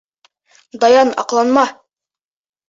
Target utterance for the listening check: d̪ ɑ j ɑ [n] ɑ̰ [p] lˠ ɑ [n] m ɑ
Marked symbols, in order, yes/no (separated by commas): yes, no, yes